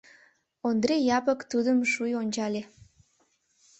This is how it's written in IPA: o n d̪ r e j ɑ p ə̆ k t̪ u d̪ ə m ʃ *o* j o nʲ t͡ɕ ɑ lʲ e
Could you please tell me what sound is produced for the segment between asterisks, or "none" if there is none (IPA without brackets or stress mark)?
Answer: u